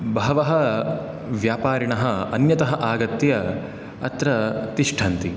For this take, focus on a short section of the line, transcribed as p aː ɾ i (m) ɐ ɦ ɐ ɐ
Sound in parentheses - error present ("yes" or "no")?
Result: yes